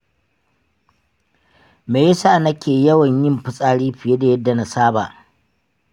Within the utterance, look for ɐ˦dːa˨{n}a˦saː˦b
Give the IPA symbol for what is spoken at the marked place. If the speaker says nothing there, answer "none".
n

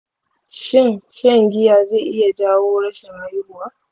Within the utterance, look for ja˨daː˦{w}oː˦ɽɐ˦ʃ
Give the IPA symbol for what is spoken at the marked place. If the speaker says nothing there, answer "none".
w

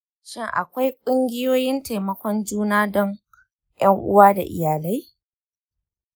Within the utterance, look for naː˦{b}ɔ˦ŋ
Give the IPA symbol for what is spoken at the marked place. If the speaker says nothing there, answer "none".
d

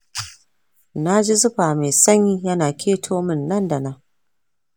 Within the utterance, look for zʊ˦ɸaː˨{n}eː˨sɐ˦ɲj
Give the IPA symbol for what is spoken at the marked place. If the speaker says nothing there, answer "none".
m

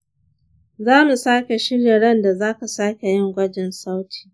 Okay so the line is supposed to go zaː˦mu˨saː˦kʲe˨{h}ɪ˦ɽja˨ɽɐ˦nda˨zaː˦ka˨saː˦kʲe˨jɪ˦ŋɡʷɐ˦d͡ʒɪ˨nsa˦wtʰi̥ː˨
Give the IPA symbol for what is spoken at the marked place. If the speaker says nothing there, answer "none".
ʃ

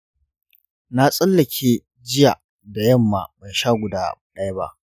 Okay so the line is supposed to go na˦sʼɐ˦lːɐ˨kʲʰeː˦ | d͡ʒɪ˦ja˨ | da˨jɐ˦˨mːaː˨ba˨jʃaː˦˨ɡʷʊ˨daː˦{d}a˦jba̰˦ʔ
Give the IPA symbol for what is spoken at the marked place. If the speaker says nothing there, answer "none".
ɗ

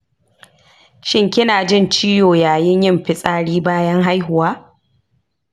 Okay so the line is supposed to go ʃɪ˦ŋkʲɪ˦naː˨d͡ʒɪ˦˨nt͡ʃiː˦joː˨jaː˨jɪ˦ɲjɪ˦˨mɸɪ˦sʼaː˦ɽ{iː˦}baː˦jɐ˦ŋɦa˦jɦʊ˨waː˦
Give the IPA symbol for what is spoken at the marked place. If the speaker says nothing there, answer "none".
iː˦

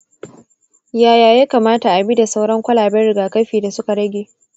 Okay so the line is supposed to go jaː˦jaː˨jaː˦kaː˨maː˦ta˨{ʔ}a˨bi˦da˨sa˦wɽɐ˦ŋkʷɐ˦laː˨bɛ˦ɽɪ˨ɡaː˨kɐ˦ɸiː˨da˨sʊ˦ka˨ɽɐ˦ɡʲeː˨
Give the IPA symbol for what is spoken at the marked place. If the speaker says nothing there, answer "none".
ʔ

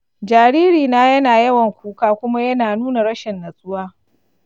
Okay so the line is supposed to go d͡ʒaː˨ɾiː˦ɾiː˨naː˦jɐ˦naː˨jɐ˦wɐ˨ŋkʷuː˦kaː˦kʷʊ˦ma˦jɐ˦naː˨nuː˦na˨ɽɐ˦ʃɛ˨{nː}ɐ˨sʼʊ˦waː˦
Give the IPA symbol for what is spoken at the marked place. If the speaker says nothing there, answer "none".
nː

